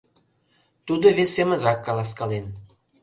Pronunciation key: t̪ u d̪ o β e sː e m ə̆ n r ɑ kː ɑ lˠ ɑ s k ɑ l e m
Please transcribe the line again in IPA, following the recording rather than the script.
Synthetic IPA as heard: t̪ u d̪ o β e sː e m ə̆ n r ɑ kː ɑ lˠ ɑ s k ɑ l e n